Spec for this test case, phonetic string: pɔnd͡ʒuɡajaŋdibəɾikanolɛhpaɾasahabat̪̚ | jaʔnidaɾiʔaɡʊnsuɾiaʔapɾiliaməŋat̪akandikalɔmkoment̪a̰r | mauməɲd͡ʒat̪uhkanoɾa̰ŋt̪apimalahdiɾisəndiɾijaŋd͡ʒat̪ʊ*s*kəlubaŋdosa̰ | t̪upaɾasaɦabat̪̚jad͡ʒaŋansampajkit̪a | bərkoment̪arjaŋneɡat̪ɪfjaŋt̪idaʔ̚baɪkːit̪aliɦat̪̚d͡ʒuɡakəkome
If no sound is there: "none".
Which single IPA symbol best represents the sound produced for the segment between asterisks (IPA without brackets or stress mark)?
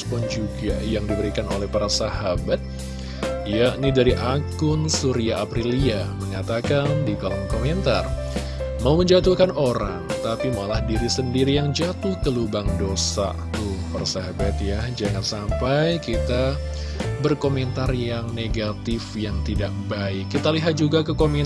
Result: h